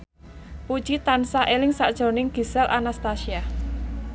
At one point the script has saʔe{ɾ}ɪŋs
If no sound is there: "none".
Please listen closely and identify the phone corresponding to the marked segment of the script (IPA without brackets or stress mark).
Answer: l